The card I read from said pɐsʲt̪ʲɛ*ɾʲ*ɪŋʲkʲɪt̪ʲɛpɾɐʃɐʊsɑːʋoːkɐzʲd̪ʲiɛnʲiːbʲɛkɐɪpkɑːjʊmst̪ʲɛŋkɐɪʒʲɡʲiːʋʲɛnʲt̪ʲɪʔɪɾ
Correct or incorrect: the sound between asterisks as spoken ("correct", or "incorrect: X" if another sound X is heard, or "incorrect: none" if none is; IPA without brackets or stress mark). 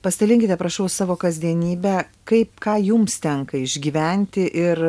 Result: incorrect: lʲ